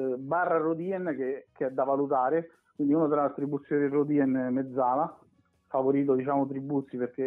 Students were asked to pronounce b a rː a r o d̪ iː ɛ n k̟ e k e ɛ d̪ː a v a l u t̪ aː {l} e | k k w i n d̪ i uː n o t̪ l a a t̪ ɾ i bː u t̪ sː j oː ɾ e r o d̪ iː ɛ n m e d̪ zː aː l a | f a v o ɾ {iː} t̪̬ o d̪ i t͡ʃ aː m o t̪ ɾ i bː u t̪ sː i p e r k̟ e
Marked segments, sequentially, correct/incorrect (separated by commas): incorrect, correct